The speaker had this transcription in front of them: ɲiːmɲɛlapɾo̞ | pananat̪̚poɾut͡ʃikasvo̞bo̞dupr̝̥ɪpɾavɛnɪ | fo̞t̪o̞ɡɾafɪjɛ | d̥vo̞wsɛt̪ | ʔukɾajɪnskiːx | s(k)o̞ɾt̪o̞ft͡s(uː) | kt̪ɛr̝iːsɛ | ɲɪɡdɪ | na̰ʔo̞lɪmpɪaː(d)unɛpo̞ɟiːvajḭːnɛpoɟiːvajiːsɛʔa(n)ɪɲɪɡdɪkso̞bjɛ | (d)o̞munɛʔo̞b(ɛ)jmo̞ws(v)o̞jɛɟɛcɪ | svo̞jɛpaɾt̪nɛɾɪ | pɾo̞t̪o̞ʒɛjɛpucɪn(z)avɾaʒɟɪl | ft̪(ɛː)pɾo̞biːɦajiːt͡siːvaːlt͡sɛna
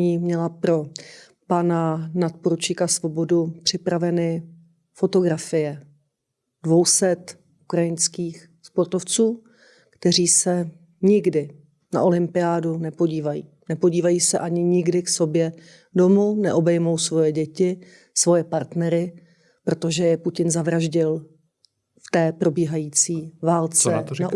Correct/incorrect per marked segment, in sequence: incorrect: p, correct, correct, incorrect: ɲ, correct, correct, correct, correct, correct

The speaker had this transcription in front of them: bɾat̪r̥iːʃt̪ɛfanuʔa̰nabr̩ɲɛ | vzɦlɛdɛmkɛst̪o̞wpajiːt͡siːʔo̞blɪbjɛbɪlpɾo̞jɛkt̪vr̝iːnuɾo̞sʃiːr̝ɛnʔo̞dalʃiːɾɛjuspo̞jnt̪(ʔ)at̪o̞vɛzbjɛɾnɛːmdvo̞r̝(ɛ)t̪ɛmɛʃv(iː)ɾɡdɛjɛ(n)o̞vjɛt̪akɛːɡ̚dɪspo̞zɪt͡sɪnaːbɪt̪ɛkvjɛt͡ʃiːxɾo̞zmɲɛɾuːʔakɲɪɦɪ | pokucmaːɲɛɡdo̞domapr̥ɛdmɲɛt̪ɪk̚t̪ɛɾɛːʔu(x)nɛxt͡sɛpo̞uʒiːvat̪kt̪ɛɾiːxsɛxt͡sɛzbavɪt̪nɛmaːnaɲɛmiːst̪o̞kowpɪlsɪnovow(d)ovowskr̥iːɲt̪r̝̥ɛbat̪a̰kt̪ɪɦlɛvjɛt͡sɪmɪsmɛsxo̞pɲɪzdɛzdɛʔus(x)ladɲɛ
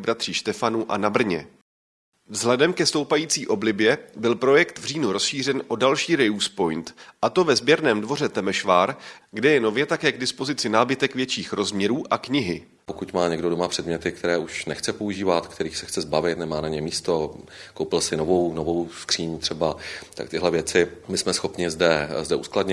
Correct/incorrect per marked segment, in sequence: correct, correct, incorrect: aː, correct, incorrect: ʃ, incorrect: n, incorrect: k

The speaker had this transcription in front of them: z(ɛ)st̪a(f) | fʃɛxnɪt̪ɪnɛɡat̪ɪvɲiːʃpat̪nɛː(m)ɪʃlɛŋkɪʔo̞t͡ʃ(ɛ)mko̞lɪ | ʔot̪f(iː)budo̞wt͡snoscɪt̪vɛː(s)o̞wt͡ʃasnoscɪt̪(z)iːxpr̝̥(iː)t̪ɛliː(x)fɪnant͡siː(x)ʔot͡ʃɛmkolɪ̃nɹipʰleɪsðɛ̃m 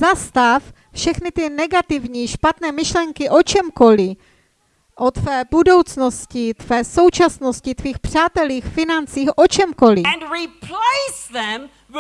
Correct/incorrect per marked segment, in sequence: incorrect: a, correct, correct, correct, incorrect: ɛː, correct, incorrect: v, incorrect: aː, correct, correct

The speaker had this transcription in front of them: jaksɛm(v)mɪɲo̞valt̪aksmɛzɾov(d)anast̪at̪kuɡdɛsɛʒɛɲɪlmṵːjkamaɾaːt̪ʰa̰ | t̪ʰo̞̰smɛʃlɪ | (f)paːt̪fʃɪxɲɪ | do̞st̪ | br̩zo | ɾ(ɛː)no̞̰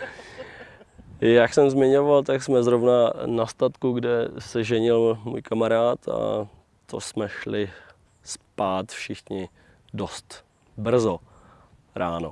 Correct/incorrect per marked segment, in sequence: incorrect: z, incorrect: n, incorrect: s, incorrect: aː

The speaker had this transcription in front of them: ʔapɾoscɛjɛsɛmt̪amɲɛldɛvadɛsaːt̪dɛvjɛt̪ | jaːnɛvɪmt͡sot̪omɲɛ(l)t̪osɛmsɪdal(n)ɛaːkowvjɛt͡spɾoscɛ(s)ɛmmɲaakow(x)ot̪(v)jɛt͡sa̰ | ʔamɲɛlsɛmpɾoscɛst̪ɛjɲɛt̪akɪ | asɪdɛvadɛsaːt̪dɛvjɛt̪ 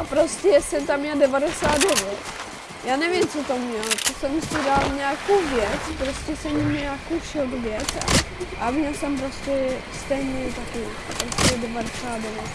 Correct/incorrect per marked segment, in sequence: correct, incorrect: ɲ, correct, incorrect: ʃ, correct

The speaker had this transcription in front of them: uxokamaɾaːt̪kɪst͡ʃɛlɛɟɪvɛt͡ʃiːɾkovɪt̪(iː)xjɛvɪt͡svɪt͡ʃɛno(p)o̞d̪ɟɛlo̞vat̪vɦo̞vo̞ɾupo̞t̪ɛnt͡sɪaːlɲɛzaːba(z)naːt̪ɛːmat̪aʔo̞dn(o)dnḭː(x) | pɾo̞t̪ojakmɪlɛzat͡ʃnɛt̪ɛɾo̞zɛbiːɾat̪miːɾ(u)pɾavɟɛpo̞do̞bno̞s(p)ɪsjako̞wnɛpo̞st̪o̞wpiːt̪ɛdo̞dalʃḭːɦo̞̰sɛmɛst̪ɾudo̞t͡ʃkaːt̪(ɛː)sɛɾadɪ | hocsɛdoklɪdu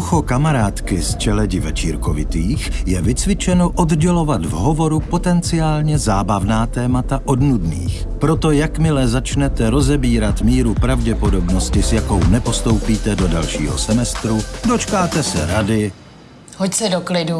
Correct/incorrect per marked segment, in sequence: correct, incorrect: ʔ, incorrect: v, incorrect: u, correct, correct, incorrect: c, incorrect: ɛ

